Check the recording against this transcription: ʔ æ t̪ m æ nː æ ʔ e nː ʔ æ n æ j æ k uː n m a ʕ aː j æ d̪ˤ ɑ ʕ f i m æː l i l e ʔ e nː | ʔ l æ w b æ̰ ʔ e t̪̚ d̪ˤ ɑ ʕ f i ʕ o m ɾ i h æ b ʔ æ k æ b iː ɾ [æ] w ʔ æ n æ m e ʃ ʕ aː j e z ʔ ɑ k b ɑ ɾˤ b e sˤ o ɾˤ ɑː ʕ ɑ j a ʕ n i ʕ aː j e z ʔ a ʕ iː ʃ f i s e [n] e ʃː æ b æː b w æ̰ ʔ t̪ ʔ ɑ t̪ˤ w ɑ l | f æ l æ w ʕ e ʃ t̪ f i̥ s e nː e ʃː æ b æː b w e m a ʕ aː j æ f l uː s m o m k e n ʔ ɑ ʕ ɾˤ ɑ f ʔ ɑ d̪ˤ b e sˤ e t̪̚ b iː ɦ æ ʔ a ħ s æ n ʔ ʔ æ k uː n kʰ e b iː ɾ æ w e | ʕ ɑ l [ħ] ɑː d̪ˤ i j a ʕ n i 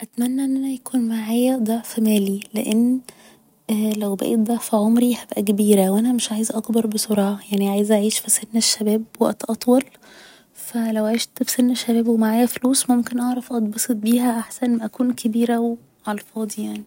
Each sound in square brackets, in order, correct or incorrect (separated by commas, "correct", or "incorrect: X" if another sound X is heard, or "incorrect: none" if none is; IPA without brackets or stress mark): correct, incorrect: nː, incorrect: f